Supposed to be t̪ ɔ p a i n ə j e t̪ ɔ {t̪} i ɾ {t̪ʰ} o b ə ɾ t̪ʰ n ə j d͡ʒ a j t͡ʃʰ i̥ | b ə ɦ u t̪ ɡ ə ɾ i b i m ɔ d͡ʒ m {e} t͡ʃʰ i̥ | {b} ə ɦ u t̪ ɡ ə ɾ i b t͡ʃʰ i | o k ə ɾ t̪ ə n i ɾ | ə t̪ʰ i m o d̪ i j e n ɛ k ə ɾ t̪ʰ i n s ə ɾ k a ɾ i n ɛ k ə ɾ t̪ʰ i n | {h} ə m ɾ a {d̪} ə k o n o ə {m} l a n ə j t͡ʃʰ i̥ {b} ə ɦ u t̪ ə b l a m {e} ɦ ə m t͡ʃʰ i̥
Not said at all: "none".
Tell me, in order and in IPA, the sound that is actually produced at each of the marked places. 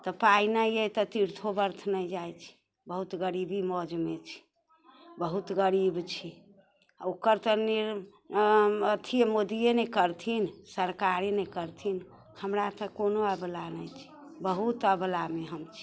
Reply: t̪, t̪ʰ, e, b, h, t̪, b, b, e

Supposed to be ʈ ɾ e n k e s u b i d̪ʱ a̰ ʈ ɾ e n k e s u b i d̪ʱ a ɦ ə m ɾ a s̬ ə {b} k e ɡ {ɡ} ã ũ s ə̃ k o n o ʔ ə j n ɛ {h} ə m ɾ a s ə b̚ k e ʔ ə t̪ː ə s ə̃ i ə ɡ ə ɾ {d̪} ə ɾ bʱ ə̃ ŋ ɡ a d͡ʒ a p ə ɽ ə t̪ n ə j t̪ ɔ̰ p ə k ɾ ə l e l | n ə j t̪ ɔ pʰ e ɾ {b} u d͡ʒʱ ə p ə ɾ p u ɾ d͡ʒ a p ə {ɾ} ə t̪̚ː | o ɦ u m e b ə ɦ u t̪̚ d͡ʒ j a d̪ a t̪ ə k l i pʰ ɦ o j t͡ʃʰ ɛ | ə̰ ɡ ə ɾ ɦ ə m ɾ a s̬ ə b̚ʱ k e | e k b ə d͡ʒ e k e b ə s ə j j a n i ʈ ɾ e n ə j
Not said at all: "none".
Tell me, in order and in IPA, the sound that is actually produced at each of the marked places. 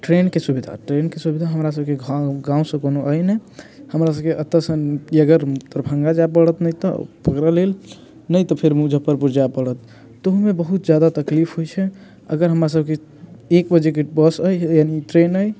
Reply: b, ɡ, h, t̪, m, ɽ

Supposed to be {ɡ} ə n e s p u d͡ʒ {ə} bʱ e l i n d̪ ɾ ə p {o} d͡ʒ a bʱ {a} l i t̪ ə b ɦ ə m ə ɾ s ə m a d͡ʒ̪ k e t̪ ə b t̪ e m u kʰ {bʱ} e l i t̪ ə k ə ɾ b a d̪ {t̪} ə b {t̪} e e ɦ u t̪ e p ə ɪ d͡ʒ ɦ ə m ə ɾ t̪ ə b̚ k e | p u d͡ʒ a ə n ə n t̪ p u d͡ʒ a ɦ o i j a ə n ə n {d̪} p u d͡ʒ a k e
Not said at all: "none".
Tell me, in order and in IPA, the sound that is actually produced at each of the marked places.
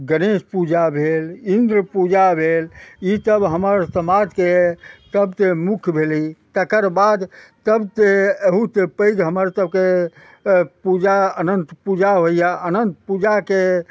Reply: ɡ, a, u, e, bʱ, t̪, t̪, t̪

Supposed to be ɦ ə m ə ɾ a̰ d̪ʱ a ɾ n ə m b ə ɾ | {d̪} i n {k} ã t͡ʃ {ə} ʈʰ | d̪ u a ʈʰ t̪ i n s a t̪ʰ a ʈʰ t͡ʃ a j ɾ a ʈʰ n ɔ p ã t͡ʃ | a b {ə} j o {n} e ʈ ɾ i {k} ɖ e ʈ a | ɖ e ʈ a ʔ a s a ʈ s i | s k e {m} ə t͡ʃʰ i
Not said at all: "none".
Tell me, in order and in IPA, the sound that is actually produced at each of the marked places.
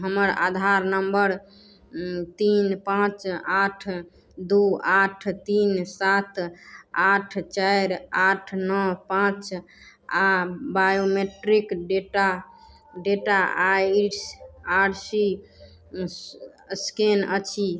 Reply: t̪, p, a, a, m, k, n

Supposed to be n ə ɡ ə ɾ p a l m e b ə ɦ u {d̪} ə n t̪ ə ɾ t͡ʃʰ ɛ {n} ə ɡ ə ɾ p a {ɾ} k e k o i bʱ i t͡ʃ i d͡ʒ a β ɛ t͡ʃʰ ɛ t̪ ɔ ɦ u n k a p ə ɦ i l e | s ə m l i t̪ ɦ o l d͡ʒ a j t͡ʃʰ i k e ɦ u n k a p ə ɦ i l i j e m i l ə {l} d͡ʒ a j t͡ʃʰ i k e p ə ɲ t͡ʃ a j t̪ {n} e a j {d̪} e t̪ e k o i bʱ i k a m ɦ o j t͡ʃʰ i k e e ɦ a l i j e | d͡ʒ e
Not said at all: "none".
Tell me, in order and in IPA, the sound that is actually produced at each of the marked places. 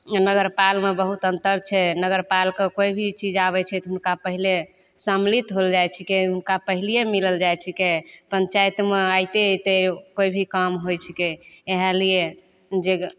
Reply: t̪, n, l, l, m, t̪

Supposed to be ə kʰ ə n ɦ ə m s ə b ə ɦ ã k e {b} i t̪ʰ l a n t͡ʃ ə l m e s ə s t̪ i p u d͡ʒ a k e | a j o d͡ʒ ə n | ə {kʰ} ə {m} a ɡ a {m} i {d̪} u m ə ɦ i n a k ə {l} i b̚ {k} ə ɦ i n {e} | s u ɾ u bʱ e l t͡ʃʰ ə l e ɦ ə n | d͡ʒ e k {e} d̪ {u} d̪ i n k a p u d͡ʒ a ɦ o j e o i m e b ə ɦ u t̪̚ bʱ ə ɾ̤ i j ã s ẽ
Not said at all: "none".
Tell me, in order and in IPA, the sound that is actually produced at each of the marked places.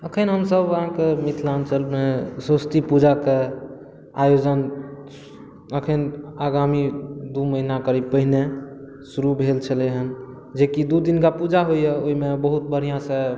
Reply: m, kʰ, n, m, d̪, ɾ, p, e, i, u

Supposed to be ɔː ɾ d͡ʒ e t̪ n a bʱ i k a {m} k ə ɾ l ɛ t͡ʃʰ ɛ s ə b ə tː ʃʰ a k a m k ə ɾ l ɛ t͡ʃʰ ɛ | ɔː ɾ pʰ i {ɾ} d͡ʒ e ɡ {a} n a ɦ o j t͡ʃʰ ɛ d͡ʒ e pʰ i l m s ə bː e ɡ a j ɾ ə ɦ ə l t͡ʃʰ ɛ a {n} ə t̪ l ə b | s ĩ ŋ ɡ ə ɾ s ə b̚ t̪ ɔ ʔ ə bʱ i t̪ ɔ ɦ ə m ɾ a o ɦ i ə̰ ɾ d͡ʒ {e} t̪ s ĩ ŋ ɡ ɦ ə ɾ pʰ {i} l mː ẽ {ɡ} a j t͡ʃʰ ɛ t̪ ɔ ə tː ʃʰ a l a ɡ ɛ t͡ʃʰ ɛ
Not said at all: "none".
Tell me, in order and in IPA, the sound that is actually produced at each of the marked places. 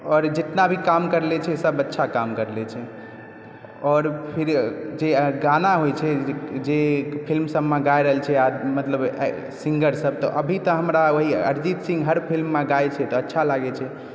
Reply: m, ɾ, a, m, i, i, ɡ

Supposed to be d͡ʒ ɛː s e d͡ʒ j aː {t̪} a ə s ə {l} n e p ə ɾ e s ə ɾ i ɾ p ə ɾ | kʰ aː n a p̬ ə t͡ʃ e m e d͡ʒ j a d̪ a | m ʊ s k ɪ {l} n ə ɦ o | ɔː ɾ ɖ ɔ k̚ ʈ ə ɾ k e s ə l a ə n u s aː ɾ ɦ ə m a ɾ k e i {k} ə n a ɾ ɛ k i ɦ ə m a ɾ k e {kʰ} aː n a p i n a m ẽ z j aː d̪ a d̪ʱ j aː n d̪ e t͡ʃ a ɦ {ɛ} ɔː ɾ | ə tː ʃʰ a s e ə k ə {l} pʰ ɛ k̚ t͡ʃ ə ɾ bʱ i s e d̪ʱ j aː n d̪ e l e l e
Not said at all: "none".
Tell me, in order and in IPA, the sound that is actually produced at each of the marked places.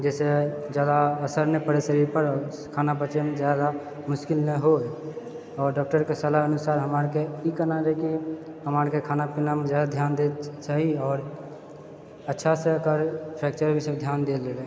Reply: d̪, ɾ, l, k, kʰ, i, ɾ

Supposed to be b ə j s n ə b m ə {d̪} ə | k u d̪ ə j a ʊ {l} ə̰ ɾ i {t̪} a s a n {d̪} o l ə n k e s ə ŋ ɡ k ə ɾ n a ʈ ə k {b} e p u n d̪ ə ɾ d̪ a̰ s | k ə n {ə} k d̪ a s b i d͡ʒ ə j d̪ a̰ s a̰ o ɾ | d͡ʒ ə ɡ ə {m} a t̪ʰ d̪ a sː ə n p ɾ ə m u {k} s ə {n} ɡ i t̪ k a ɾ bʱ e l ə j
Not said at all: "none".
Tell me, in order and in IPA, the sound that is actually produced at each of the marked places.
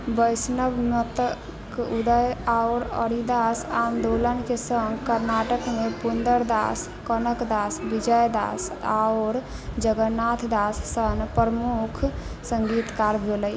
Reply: t̪, ɾ, d̪, d̪, m, ə, n, kʰ, ŋ

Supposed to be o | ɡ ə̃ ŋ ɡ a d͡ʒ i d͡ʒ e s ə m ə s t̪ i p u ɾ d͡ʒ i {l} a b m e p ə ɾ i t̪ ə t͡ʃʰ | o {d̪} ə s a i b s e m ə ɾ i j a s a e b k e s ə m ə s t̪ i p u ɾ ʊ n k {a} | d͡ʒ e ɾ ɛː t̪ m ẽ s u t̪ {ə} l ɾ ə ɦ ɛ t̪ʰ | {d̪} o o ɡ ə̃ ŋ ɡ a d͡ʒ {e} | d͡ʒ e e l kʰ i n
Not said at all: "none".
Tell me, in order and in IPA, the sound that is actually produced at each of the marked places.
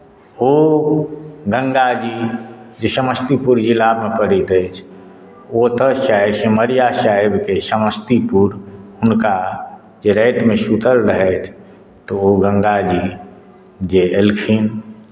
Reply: l, t̪, a, ə, t̪, i

